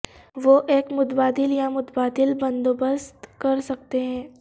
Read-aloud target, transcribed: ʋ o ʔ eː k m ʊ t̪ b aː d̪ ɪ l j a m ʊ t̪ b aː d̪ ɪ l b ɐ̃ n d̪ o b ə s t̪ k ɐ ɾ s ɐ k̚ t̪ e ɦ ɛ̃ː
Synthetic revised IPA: ʋ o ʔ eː k m ʊ t̪ b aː d̪ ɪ l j a m ʊ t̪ b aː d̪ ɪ l b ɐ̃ n d̪ o b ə s t̪ k ɐ ɾ s ɐ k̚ t̪ e ɦ ɛ̃ː